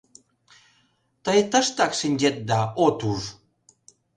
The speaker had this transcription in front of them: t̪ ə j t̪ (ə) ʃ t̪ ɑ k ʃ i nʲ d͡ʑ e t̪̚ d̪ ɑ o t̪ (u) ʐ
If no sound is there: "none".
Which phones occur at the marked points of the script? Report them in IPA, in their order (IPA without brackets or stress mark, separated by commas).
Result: ə, u